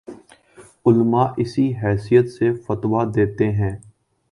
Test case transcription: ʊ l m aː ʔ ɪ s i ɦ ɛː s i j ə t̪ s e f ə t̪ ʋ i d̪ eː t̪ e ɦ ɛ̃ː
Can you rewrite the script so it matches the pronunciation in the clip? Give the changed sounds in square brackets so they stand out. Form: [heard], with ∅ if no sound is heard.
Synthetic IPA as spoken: ʊ l m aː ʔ ɪ s i ɦ ɛː s i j ə t̪ s e f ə t̪ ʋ [a] d̪ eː t̪ e ɦ ɛ̃ː